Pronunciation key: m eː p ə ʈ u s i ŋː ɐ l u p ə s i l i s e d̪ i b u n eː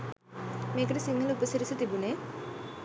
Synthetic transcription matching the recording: m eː k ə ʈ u s i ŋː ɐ l u p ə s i ɾ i s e t̪ i b u n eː